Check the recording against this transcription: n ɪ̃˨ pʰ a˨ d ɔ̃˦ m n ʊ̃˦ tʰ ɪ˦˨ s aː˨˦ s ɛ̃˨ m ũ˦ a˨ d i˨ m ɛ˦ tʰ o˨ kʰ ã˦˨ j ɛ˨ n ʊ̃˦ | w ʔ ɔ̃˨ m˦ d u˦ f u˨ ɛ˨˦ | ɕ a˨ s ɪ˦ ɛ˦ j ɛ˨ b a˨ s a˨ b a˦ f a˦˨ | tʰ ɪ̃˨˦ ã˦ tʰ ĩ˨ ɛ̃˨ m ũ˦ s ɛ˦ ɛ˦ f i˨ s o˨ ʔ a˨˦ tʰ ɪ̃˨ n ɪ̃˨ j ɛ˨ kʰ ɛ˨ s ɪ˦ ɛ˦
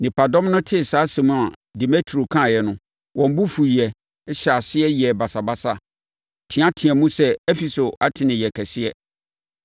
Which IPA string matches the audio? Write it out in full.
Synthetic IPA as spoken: n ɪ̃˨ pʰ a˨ d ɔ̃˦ m n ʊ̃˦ tʰ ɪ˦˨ s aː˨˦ s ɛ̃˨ m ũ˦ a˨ d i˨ m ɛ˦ tʰ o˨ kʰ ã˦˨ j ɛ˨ n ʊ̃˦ | w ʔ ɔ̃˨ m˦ b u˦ f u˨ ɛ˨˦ | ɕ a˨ s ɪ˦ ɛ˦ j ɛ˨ b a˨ s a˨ b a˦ s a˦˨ | tʰ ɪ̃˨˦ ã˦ tʰ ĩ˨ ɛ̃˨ m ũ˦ s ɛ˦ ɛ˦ f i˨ s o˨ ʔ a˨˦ tʰ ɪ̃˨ n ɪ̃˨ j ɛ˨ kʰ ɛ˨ s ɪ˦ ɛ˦

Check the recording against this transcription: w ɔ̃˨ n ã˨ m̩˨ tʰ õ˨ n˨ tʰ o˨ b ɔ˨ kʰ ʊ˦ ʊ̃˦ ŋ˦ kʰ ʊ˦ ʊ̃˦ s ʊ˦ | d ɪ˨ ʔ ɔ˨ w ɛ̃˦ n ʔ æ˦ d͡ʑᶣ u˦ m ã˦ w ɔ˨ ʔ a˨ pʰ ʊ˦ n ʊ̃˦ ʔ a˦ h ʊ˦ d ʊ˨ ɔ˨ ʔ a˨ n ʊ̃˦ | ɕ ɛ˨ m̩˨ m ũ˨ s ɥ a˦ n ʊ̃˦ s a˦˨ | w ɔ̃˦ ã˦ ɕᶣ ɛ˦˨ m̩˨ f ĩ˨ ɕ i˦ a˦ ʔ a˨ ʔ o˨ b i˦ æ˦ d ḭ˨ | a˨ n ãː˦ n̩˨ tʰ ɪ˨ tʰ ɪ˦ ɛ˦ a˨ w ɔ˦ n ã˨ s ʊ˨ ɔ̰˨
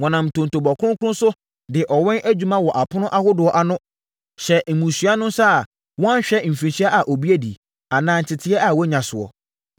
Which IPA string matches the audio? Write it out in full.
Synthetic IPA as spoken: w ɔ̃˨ n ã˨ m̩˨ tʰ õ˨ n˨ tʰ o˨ b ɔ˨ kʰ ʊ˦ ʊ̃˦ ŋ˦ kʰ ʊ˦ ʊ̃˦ s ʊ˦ | d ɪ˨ ʔ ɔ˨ w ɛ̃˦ n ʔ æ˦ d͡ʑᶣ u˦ m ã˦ w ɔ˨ ʔ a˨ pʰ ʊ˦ n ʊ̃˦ ʔ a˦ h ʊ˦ d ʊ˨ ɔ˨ ʔ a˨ n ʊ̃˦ | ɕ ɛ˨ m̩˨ m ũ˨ s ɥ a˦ n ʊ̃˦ s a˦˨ | w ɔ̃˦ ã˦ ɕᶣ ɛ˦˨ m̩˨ f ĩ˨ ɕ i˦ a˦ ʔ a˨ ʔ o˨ b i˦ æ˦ d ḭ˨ | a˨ n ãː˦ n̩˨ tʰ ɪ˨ tʰ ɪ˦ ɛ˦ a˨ w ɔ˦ ɲ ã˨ s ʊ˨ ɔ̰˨

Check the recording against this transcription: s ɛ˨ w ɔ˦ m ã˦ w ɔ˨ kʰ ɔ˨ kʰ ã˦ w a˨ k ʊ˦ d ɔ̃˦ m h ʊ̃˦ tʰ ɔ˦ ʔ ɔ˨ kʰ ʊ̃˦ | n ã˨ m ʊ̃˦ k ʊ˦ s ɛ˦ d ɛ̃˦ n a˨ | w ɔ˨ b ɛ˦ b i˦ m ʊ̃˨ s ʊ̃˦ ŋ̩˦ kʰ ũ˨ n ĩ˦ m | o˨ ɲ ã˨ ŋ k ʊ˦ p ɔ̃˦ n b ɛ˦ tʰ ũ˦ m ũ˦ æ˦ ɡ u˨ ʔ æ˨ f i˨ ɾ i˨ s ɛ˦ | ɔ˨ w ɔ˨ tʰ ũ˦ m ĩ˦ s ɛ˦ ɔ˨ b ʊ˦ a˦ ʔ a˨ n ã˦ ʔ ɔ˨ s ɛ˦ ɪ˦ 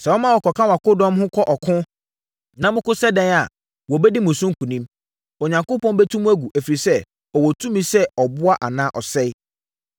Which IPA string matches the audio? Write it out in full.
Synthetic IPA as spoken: s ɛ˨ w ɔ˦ m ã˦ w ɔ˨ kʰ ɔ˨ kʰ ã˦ w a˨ k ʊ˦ d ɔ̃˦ m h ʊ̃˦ kʰ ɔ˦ ʔ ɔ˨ kʰ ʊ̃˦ | n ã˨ m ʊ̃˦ k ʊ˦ s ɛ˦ d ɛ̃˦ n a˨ | w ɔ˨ b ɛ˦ d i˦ m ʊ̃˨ s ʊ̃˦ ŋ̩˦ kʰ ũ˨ n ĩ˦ m | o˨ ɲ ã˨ ŋ k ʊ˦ p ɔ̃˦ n b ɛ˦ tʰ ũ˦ m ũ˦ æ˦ ɡ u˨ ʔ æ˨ f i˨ ɾ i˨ s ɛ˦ | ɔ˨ w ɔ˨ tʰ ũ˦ m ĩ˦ s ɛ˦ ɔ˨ b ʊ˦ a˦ ʔ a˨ n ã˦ ʔ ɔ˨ s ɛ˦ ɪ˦

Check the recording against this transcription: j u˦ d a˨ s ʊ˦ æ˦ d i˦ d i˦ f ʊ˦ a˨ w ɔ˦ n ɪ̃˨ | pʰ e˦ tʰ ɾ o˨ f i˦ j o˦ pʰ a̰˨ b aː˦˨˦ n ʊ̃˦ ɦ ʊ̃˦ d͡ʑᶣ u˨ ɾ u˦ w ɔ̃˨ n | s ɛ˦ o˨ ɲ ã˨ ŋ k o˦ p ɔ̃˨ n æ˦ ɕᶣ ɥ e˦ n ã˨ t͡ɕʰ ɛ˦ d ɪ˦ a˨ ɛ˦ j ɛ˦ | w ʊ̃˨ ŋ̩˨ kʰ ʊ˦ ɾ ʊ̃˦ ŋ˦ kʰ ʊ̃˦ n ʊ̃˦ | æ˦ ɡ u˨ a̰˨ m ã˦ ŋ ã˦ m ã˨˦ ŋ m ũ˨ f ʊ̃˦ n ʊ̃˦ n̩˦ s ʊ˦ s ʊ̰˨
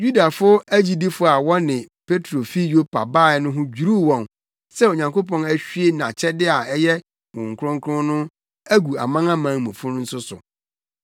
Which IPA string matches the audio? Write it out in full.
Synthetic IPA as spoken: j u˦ d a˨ f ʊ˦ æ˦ d͡ʑ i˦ d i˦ f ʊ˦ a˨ w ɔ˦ n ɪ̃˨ | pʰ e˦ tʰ ɾ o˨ f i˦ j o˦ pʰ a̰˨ b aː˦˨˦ n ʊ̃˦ ɦ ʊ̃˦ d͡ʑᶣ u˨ ɾ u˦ w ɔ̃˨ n | s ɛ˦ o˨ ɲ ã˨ ŋ k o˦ p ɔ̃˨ n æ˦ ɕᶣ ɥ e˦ n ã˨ t͡ɕʰ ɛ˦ d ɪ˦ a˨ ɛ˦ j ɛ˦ | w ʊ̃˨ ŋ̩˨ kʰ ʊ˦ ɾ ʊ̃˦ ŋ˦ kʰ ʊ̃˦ n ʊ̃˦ | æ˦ ɡ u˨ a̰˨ m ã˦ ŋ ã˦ m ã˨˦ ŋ m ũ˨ f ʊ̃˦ n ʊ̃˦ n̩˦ s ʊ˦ s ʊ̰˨

